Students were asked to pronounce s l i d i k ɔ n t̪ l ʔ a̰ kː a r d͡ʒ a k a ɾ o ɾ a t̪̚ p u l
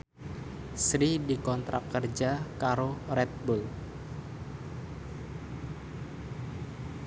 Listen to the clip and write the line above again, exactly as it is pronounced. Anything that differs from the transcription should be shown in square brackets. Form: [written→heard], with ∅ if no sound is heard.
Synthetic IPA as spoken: s [l→ɾ] i d i k ɔ n t̪ [l→ɾ] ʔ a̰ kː [a→ə] r d͡ʒ a k a ɾ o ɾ [a→ɛ] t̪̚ [p→b] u l